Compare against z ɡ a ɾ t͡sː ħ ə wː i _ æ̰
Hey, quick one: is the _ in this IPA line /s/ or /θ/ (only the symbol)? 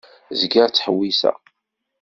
s